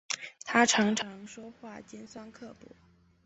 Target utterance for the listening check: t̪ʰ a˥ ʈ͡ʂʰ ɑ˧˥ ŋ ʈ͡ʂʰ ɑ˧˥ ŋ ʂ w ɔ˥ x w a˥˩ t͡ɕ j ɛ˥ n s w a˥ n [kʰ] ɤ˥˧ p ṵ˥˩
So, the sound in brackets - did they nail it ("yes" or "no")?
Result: yes